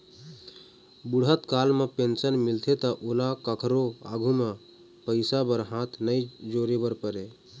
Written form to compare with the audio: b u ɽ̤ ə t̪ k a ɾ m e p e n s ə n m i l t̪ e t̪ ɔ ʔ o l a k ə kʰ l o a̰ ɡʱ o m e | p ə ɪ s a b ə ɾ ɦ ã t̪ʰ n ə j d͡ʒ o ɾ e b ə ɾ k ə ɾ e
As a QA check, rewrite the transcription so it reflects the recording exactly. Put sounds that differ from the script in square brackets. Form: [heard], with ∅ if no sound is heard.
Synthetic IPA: b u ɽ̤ ə t̪ k a [l] m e p e n s ə n m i l [t̪ʰ] e t̪ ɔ ʔ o l a k ə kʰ [ɾ] o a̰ ɡʱ [u] m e | p ə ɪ s a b ə ɾ ɦ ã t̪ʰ n ə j d͡ʒ o ɾ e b ə ɾ [p] ə ɾ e